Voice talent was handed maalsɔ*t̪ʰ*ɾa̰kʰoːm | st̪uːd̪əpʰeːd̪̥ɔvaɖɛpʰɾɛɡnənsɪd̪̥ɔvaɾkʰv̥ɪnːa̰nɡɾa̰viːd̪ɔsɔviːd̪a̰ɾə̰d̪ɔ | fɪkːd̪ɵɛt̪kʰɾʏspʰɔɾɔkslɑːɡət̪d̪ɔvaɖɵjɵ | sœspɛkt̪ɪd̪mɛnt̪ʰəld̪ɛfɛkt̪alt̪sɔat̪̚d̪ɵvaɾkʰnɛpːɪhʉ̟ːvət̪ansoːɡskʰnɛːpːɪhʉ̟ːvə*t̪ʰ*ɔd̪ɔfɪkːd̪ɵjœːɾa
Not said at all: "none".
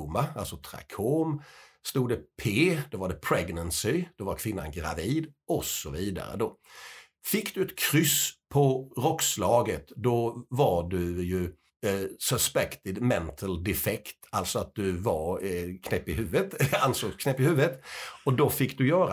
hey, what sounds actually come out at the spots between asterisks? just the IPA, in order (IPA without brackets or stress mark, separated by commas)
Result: t̪ʰ, t̪